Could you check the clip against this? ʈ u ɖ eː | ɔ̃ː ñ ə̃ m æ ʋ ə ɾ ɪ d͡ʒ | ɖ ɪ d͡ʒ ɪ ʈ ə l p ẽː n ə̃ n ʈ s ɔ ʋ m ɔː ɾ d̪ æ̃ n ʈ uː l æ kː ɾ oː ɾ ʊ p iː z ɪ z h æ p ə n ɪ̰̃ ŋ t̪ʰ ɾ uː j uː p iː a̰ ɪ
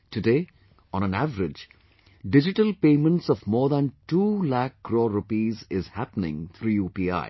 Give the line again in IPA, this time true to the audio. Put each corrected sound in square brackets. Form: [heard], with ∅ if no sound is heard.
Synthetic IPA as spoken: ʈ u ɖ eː | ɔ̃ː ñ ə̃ [n] æ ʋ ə ɾ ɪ d͡ʒ | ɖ ɪ d͡ʒ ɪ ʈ ə l p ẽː [m] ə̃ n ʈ s ɔ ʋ m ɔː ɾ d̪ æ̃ n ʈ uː l æ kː ɾ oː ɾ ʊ p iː z ɪ z h æ p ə n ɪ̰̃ ŋ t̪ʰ ɾ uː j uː p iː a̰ ɪ

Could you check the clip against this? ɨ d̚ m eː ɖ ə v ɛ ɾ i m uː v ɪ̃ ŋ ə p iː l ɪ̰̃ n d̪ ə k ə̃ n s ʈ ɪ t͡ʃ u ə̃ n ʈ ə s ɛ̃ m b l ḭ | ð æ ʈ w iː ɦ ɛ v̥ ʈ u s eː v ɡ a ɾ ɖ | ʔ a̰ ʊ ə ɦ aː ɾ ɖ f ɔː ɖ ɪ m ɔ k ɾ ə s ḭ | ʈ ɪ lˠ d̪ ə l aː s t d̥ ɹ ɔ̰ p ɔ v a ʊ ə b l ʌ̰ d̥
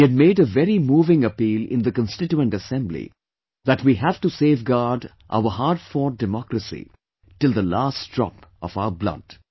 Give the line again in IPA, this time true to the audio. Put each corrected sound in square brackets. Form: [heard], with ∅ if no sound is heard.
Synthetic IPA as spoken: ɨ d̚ m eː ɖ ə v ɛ ɾ i m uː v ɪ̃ ŋ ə p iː l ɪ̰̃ n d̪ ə k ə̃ n s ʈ ɪ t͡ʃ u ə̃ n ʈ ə s ɛ̃ m b l ḭ | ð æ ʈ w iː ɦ [æ] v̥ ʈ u s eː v ɡ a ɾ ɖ | ʔ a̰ ʊ ə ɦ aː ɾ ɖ f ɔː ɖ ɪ m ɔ k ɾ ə s ḭ | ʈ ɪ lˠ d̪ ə l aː s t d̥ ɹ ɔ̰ p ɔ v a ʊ ə b l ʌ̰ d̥

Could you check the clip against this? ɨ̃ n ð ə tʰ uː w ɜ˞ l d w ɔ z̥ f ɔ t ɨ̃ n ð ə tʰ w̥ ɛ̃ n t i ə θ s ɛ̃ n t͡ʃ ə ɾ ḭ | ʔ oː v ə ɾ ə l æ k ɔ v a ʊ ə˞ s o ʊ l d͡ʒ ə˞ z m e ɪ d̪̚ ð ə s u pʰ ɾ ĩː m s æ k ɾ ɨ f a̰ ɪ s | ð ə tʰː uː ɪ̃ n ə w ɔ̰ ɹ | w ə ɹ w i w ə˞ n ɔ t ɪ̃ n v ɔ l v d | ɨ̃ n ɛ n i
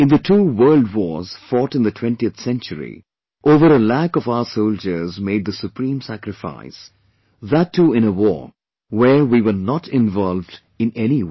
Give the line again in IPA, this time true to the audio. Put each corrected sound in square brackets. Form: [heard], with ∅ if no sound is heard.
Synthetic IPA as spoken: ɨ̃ n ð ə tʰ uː w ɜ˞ l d w ɔ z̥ f ɔ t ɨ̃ n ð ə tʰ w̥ ɛ̃ n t i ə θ s ɛ̃ n t͡ʃ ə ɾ ḭ | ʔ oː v ə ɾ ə l æ k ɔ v a ʊ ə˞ s o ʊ l d͡ʒ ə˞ z m e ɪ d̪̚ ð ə s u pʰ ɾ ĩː m s æ k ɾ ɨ f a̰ ɪ s | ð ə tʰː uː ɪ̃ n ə w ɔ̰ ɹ | w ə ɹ w i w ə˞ n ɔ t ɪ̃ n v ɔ l v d | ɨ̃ n ɛ n i

